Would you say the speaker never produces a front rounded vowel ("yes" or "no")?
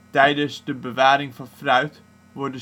no